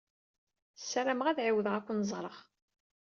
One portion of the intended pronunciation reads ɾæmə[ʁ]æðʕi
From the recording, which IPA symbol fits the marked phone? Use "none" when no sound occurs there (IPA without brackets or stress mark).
ʁ